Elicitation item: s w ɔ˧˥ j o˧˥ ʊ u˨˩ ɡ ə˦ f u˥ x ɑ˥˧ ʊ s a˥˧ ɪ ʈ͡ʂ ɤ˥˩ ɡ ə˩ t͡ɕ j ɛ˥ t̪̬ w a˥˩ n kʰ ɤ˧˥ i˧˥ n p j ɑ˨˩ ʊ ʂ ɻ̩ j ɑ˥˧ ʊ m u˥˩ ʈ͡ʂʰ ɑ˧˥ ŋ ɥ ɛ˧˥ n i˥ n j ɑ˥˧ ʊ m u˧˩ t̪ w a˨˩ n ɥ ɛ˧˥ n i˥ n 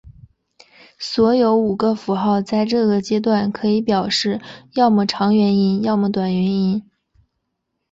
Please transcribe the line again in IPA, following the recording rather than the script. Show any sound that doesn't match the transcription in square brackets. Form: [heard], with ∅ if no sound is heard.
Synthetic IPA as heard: s w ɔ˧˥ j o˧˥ ʊ u˨˩ ɡ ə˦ f [u˧˥] x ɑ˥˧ ʊ [t͡s] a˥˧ ɪ ʈ͡ʂ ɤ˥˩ ɡ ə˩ t͡ɕ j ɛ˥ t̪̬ w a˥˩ n kʰ ɤ˧˥ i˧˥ [∅] p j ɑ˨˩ ʊ ʂ ɻ̩ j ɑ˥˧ ʊ m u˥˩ ʈ͡ʂʰ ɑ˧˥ ŋ ɥ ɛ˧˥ n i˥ n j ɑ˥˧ ʊ m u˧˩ t̪ w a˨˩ n ɥ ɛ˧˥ n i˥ n